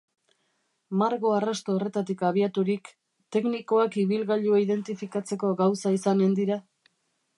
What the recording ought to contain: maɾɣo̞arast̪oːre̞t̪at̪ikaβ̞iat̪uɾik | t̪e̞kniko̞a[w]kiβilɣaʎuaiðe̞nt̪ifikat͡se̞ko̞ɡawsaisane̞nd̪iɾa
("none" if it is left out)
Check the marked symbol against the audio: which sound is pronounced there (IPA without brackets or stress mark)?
none